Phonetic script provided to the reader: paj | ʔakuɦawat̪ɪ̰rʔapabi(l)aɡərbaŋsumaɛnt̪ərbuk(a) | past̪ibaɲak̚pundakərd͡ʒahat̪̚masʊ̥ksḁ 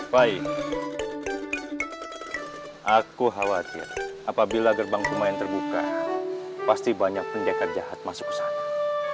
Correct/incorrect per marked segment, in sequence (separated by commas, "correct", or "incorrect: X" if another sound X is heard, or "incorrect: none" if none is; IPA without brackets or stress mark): correct, correct